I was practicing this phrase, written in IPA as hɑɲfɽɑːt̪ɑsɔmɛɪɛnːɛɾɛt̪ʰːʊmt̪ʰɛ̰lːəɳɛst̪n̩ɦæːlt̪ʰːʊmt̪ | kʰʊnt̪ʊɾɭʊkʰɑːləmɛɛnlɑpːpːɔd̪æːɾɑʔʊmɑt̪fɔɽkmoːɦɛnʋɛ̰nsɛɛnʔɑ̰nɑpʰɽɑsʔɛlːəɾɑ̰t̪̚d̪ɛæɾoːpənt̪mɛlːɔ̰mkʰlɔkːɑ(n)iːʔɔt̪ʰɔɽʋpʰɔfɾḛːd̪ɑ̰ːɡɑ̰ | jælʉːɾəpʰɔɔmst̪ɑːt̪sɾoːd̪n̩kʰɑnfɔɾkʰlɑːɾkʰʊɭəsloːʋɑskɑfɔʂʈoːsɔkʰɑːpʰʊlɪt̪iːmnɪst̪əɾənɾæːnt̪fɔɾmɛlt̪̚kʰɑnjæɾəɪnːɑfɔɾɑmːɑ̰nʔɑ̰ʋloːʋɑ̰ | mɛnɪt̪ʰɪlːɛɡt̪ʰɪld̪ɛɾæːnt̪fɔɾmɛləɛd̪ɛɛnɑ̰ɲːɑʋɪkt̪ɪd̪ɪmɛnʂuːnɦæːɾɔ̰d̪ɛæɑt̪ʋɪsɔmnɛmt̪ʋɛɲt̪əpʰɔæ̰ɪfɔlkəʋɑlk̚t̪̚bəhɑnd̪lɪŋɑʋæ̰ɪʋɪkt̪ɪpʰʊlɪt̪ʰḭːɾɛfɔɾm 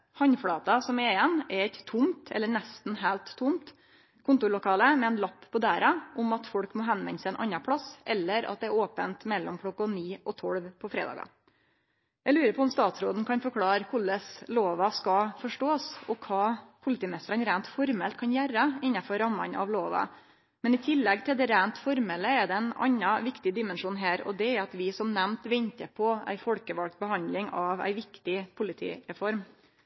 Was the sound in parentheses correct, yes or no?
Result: yes